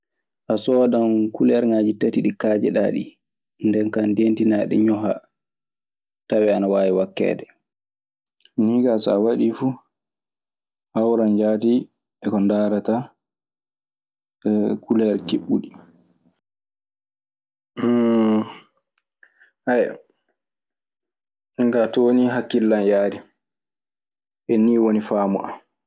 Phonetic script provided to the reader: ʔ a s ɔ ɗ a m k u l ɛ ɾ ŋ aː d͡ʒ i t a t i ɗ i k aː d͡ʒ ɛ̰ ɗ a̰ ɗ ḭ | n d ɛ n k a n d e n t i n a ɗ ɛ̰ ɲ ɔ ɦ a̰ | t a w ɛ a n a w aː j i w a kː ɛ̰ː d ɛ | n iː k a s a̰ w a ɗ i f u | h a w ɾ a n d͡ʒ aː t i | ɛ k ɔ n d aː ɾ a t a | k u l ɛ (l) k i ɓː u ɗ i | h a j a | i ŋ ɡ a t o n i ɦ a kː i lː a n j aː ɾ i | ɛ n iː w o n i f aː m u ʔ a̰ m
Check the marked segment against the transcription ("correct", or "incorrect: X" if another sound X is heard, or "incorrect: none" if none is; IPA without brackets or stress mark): incorrect: ɾ